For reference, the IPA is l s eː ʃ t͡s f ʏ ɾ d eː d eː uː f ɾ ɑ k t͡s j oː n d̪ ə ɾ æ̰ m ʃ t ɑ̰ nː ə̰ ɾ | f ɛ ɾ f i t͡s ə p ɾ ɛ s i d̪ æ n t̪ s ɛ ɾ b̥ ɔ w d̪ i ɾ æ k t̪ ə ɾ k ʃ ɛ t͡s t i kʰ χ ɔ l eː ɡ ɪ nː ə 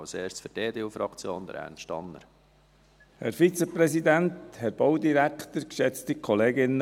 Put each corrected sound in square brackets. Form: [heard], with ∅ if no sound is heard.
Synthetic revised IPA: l s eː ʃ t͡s f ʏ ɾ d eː d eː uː f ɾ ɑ k t͡s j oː n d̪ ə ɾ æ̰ [n] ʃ t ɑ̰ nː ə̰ ɾ | [h] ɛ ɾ f i t͡s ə p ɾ ɛ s i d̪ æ n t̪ [h] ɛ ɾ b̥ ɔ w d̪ i ɾ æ k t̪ ə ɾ k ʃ ɛ t͡s t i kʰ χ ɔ l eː ɡ ɪ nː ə